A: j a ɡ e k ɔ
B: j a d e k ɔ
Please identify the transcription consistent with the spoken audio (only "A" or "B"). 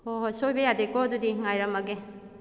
B